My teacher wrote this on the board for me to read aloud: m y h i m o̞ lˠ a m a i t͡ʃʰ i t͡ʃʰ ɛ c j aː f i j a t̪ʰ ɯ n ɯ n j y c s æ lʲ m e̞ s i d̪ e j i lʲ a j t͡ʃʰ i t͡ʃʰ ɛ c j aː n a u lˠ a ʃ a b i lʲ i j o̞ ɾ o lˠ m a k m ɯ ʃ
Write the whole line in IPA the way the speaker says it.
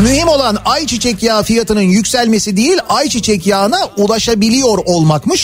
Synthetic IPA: m y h i m o̞ lˠ a n a j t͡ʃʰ i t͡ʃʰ ɛ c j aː f i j a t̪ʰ ɯ n ɯ n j y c s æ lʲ m e̞ s i d̪ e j i lʲ a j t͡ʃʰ i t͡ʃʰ ɛ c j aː n a u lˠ a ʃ a b i lʲ i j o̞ ɾ o lˠ m a k m ɯ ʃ